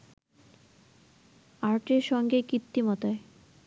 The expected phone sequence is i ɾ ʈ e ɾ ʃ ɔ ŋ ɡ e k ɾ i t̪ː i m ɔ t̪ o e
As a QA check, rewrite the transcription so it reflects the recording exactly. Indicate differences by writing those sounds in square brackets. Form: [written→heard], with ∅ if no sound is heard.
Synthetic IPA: [i→a] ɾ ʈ e ɾ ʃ ɔ ŋ ɡ e k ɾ i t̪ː i m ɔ t̪ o e